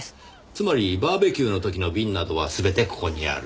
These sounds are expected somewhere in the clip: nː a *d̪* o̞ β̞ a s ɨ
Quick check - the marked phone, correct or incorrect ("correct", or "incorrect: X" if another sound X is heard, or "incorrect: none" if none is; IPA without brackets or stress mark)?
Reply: correct